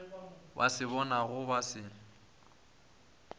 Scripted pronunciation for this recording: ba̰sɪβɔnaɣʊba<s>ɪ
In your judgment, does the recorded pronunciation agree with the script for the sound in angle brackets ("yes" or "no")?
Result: yes